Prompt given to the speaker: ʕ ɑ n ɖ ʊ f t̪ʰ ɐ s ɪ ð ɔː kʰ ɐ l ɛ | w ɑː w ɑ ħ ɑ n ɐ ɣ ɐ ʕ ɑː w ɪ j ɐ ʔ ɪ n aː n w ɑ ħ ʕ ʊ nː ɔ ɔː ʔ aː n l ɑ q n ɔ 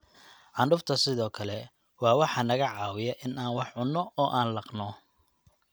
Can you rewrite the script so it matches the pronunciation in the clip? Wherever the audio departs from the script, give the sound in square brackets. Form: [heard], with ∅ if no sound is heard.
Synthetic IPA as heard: ʕ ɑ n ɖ ʊ f t̪ʰ ɐ s ɪ ð ɔː kʰ ɐ l ɛ | w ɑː w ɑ ħ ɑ n ɐ ɣ ɐ ʕ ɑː w ɪ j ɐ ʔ ɪ n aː n w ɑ ħ ʕ ʊ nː ɔ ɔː ʔ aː n l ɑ q n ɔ

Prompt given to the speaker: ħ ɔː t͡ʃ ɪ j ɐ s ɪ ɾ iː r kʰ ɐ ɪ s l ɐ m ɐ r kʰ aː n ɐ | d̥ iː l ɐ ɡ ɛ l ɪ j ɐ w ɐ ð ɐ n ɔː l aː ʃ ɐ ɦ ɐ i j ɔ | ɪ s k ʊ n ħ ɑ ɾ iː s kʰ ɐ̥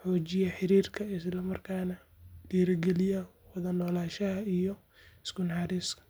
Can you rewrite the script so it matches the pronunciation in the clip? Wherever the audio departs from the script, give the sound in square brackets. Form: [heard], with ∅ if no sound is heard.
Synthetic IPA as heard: ħ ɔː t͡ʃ ɪ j ɐ [ħ] ɪ ɾ iː r kʰ ɐ ɪ s l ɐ m ɐ r kʰ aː n ɐ | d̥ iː [ɾ] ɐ ɡ ɛ l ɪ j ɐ w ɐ ð ɐ n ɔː l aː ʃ ɐ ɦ ɐ i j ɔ | ɪ s k ʊ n ħ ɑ ɾ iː s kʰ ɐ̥

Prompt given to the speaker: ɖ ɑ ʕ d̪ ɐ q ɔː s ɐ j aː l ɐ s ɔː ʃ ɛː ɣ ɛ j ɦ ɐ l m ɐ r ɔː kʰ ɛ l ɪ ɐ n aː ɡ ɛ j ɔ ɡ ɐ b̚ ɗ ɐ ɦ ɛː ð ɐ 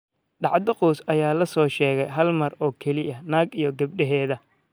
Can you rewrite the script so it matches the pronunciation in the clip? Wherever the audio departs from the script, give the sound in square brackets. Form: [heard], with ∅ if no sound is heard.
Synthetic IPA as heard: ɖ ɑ ʕ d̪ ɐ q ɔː s ɐ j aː l ɐ s ɔː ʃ ɛː ɣ ɛ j ɦ ɐ l m ɐ r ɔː kʰ ɛ l ɪ ɐ n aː ɡ [i] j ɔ ɡ ɐ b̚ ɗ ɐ ɦ ɛː ð ɐ

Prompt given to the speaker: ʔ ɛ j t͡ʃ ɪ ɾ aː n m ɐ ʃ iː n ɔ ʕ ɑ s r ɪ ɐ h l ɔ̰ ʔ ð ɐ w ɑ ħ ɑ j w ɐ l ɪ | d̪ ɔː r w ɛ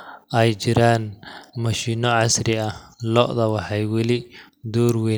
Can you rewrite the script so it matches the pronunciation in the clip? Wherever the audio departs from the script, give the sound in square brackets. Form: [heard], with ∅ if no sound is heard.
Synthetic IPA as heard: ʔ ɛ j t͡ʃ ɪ ɾ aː n m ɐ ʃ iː n ɔ ʕ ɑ s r ɪ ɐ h l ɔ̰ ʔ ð ɐ w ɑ ħ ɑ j w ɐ l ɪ | d̪ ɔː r w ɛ

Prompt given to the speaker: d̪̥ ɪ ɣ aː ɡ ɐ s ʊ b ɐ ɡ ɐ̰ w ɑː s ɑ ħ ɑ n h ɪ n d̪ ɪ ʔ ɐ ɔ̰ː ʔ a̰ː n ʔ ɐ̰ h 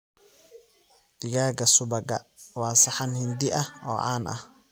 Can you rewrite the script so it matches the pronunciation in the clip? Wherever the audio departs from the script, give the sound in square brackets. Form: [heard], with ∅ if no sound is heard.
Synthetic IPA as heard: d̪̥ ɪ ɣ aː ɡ ɐ s ʊ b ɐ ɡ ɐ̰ w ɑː s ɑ ħ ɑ n h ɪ n d̪ ɪ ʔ ɐ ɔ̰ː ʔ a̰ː n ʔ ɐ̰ h

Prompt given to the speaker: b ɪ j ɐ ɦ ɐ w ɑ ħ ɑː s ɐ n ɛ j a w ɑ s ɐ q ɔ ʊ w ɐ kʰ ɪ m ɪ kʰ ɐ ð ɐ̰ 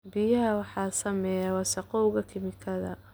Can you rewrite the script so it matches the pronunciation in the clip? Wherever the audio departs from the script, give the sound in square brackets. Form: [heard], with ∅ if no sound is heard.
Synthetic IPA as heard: b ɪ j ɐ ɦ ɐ w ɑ ħ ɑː s ɐ [m] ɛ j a w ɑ s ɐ q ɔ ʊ [ɣ] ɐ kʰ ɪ m ɪ kʰ ɐ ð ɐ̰

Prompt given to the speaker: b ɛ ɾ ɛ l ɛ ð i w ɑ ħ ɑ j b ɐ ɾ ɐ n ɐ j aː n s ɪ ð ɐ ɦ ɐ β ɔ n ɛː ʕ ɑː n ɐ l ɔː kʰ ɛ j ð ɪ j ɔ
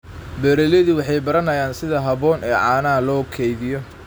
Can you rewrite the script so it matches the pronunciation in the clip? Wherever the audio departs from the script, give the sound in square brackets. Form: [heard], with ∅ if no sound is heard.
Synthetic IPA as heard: b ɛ ɾ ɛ l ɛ ð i w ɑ ħ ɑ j b ɐ ɾ ɐ n ɐ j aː n s ɪ ð ɐ ɦ ɐ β [ɔː] n ɛː ʕ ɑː n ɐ l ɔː kʰ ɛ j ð ɪ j ɔ

